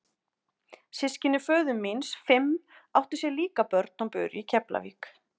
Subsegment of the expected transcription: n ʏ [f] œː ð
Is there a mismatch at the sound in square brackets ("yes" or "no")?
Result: no